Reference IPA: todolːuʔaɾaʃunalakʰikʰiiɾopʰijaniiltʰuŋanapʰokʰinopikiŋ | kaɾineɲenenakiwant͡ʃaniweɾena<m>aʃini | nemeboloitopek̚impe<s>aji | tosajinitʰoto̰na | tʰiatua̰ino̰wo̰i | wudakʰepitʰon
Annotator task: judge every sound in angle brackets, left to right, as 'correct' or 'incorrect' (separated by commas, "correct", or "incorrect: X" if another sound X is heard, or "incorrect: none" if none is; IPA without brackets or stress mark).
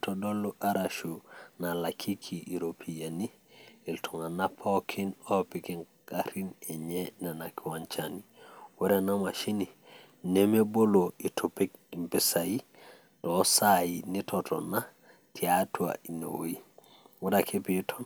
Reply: correct, correct